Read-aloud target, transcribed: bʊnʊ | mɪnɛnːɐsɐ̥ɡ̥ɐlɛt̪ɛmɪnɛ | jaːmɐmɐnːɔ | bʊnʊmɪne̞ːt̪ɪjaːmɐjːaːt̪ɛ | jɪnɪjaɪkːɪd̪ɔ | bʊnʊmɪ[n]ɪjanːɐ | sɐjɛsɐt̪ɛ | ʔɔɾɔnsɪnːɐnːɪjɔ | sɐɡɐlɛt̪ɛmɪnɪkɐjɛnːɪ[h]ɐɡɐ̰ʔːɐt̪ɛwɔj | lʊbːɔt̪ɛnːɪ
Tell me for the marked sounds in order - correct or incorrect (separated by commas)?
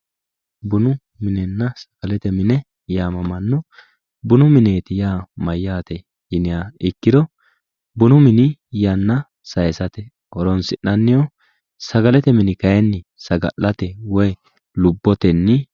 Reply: correct, incorrect